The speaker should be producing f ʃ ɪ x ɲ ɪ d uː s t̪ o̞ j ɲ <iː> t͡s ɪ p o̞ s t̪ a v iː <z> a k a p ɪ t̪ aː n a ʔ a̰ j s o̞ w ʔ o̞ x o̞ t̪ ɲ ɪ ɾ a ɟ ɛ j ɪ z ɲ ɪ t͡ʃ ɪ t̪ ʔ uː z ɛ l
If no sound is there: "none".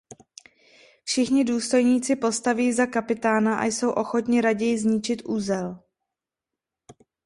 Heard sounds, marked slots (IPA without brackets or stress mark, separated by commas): iː, z